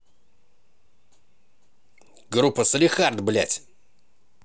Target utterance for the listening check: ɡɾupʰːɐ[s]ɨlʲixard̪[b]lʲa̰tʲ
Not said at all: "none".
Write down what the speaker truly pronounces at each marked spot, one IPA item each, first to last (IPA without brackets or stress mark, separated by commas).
s, b